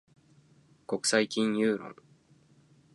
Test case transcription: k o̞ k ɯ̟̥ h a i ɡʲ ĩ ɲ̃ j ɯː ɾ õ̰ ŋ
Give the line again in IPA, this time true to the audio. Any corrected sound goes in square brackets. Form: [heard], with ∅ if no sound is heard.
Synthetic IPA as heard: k o̞ k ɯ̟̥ [s] a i [kʲ] ĩ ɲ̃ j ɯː ɾ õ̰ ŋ